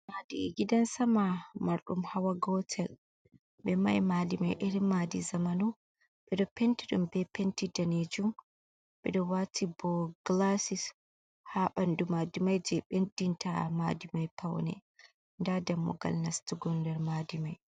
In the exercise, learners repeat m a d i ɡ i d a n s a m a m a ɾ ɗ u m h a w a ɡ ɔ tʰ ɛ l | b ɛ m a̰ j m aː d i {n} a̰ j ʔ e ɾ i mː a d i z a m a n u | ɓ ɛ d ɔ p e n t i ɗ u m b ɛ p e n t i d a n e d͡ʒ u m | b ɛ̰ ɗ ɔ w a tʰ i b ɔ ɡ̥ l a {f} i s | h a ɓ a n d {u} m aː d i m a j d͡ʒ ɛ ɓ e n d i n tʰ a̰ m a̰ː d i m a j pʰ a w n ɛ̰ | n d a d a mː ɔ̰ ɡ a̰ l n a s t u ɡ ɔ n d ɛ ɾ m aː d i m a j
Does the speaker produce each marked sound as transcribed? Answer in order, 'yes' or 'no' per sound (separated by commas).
no, no, yes